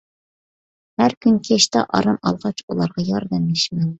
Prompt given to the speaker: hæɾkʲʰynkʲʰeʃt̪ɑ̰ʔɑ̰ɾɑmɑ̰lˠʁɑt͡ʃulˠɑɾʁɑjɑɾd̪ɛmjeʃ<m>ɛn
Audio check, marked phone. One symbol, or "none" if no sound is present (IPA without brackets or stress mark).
m